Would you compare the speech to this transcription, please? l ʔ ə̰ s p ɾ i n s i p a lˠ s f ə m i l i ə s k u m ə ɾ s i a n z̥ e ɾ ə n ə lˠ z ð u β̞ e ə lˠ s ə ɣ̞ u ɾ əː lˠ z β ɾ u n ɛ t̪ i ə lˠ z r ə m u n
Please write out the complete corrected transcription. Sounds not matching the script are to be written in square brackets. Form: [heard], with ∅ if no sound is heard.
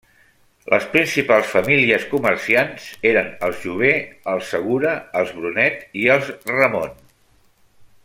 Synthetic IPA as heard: l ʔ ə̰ s p ɾ i n s i p a lˠ s f ə m i l i ə s k u m ə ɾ s i a n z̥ e ɾ ə n ə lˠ z [ʒ] u β̞ e ə lˠ s ə ɣ̞ u ɾ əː lˠ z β ɾ u n ɛ t̪ i ə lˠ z r ə m [o] n